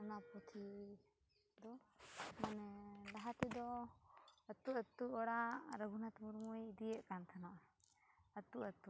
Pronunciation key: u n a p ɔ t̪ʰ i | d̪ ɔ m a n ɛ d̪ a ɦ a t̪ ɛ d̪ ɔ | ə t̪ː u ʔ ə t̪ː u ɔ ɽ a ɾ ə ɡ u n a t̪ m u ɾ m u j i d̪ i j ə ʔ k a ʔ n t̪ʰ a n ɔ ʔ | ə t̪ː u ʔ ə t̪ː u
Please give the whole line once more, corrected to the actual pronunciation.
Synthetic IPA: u n a p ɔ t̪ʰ i | d̪ ɔ m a n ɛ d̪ a ɦ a t̪ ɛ d̪ ɔ | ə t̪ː u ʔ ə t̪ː u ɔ ɽ a ɾ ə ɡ u n a t̪ m u ɾ m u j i d̪ i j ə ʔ k a n t̪ʰ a n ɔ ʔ | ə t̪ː u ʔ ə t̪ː u